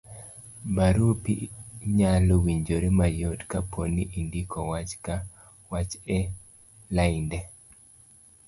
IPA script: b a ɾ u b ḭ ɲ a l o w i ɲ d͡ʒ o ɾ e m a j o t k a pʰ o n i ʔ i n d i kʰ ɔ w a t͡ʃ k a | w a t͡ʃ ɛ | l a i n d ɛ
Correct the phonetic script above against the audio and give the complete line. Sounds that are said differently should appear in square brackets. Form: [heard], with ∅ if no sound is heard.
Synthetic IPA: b a ɾ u [p] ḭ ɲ a l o w i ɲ d͡ʒ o ɾ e m a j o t k a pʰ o n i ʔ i n d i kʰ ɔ w a t͡ʃ k a | w a t͡ʃ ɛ | l a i n d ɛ